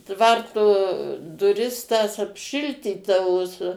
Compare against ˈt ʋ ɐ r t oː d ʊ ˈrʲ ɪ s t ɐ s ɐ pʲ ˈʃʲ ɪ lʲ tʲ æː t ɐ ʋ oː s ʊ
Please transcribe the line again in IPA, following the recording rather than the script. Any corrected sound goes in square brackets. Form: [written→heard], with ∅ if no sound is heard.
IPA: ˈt ʋ ɐ r t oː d ʊ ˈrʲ ɪ s t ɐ s ɐ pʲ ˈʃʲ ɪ lʲ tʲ [æː→iː] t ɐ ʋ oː s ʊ